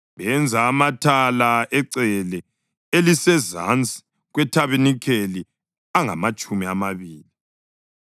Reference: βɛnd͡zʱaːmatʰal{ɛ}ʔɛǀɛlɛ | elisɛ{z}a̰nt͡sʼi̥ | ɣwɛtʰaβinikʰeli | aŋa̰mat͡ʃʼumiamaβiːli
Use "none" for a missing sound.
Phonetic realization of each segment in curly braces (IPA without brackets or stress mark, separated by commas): a, z